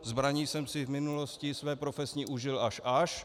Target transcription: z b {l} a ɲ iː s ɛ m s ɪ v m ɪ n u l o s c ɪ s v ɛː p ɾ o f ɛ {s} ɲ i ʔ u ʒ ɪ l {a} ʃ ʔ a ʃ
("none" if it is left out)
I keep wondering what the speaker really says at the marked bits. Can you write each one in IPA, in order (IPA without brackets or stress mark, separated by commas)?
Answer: ɾ, s, a